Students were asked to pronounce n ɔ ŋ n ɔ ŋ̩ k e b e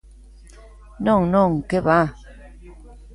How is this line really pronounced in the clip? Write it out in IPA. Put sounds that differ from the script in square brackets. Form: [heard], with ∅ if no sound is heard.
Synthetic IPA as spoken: n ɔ ŋ n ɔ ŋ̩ k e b [a]